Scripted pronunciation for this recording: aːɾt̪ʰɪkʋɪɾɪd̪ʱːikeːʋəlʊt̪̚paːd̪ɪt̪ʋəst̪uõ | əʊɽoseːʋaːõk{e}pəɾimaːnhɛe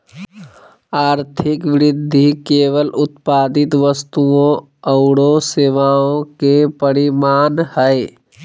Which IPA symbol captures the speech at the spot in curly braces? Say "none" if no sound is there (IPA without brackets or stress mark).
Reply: e